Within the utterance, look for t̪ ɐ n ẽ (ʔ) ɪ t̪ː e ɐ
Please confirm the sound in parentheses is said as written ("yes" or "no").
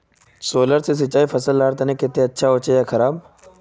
no